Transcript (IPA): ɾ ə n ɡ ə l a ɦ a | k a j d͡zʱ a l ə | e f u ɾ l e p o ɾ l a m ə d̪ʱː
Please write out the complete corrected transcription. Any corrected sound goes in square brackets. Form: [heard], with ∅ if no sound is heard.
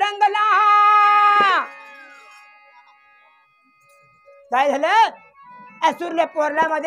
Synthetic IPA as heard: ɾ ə [ŋ] ɡ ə l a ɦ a | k a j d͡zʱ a l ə | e [s] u ɾ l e p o ɾ l a m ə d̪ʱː